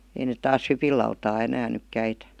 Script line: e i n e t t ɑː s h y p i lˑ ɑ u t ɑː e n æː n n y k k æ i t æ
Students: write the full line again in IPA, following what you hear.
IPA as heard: e i n e t t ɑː s h y p i lˑ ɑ u t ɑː e n æː n n y k k æ i t æ